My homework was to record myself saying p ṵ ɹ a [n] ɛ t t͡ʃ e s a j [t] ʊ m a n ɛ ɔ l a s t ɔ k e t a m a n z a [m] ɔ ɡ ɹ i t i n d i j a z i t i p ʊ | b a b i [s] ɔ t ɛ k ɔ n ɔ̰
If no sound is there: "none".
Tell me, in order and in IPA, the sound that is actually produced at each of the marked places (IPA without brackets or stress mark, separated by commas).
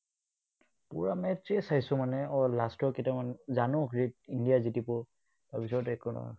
m, s, n, s